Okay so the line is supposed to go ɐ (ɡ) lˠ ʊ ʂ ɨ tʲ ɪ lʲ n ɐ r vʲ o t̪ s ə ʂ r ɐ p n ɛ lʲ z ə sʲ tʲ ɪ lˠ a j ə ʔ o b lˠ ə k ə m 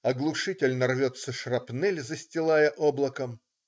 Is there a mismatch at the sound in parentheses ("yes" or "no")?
no